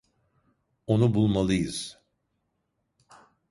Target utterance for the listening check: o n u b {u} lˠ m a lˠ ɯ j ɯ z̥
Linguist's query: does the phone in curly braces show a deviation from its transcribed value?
no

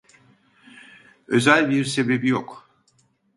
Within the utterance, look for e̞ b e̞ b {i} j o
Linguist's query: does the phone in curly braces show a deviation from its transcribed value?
no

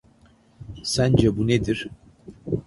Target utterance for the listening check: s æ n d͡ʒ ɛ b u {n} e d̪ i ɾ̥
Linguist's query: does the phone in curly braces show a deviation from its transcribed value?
no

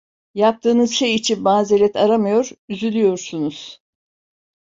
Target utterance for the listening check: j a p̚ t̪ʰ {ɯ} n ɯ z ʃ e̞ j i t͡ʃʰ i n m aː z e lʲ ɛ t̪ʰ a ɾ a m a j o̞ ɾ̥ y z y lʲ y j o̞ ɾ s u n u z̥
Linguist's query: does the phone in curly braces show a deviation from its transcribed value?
yes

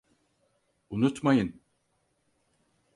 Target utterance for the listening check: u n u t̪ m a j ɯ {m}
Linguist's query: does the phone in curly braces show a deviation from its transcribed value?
yes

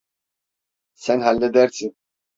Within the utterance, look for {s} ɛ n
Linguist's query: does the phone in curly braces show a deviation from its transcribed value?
no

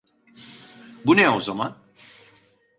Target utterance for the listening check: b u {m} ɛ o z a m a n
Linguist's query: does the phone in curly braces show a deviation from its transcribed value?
yes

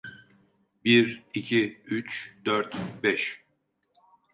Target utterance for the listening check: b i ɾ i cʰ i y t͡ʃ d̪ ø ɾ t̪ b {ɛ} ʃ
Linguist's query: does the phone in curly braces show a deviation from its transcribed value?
no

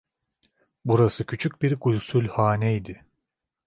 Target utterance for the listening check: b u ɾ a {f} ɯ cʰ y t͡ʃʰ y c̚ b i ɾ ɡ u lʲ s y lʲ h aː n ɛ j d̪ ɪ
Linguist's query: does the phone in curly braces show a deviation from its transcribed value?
yes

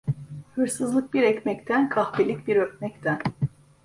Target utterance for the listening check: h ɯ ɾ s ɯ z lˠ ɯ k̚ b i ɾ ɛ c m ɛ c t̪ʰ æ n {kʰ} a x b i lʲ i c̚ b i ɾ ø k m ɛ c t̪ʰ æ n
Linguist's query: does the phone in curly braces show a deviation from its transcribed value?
no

